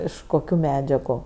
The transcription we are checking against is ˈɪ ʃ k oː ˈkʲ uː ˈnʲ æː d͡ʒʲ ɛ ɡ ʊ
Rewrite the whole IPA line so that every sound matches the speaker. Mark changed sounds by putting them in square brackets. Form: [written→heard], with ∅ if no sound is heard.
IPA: ˈɪ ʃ k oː ˈkʲ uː [ˈnʲ→ˈmʲ] æː d͡ʒʲ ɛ ɡ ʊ